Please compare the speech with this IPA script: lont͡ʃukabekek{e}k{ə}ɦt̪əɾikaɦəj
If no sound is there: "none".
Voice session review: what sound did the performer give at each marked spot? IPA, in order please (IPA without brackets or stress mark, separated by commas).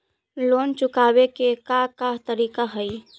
a, a